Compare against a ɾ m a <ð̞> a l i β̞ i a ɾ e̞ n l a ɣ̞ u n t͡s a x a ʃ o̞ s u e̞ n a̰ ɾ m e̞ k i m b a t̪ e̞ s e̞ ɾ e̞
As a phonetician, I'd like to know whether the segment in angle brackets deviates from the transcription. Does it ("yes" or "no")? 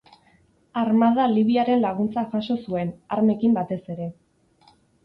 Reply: no